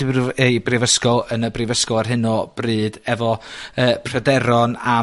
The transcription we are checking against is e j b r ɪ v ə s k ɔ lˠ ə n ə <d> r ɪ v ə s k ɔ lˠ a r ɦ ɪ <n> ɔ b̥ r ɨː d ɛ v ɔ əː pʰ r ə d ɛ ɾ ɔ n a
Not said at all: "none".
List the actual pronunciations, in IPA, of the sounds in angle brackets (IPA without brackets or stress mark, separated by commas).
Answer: b, n